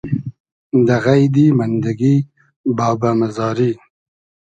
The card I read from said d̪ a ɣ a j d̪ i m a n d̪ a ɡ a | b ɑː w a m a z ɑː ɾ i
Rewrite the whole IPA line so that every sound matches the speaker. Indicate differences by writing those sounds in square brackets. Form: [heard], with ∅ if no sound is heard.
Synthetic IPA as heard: d̪ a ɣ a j d̪ i m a n d̪ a ɡ [i] | b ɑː [b] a m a z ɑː ɾ i